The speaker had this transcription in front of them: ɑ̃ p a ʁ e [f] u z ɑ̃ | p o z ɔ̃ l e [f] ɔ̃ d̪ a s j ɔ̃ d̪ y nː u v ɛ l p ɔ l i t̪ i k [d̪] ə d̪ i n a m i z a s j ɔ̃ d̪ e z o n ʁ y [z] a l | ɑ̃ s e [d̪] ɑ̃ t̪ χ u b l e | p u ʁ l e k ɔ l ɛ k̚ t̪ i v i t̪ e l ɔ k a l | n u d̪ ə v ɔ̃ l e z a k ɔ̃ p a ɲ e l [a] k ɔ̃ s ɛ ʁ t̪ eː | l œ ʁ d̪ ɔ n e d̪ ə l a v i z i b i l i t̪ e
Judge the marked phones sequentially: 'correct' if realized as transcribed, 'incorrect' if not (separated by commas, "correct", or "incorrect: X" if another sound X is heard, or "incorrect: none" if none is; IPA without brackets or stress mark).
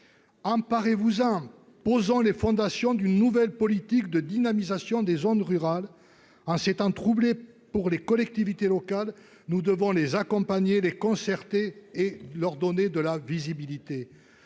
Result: incorrect: v, correct, correct, incorrect: ʁ, incorrect: t̪, incorrect: e